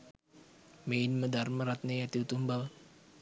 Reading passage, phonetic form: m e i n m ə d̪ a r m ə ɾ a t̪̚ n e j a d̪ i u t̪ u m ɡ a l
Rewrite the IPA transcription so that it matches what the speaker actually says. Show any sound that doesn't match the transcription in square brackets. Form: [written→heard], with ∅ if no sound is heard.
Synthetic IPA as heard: m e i n m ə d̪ a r m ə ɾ a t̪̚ n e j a [d̪→t̪] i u t̪ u m [ɡ→b] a l